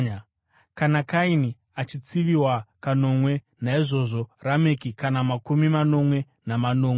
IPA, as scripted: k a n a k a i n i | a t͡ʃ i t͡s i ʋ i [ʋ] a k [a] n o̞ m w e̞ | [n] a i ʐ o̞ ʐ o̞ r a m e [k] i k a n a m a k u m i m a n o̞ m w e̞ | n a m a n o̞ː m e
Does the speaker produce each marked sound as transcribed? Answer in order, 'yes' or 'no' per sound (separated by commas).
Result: no, yes, yes, yes